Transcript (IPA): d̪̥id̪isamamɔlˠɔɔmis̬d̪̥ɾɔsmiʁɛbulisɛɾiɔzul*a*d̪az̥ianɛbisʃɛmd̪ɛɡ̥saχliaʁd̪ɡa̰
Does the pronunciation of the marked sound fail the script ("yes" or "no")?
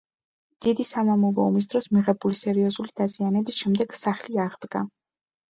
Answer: yes